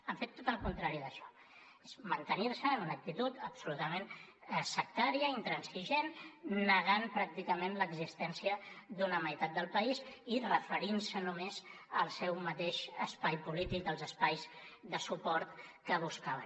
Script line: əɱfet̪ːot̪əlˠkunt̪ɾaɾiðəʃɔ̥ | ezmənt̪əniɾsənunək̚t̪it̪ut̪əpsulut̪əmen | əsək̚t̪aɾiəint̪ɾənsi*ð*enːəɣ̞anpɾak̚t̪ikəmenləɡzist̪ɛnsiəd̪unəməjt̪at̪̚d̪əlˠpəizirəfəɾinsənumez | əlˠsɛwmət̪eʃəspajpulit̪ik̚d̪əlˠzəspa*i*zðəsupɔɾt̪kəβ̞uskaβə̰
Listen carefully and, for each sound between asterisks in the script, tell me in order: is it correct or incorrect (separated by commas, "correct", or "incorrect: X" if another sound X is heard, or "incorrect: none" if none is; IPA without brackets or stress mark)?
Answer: incorrect: ʒ, incorrect: j